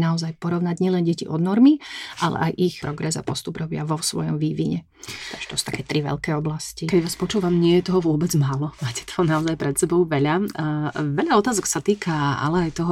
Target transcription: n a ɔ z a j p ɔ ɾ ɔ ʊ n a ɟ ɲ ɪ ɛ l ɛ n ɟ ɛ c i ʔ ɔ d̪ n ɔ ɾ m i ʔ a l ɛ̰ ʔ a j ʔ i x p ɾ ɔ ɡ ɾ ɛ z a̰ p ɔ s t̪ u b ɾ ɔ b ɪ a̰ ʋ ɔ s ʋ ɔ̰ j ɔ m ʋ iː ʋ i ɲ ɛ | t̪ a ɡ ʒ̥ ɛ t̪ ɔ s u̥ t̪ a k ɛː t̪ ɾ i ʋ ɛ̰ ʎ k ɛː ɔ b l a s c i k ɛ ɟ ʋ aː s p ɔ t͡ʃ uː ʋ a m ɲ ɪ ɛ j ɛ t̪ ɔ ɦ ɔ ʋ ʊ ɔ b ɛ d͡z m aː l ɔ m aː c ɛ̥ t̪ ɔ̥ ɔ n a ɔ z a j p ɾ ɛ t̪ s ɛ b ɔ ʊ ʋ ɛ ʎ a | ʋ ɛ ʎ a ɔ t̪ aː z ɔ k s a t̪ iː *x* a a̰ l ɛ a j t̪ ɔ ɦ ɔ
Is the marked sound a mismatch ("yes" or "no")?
yes